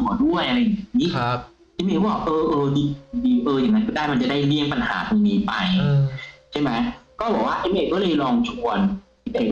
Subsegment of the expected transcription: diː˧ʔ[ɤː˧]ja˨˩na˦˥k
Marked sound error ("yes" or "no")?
no